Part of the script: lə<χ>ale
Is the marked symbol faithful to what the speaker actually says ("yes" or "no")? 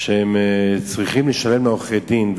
no